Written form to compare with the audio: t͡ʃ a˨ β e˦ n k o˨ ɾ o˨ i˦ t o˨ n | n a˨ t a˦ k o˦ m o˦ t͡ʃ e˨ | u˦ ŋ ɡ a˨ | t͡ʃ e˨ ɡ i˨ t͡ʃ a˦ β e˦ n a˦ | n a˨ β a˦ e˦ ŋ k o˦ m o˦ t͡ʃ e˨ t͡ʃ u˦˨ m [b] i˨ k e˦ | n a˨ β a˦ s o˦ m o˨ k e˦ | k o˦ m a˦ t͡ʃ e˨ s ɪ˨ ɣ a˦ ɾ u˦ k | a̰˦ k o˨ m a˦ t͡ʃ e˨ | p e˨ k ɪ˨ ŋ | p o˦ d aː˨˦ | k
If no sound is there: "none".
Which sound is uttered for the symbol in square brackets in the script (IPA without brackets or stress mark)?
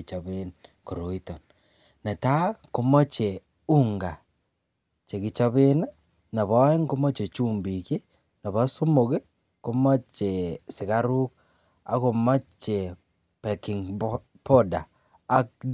b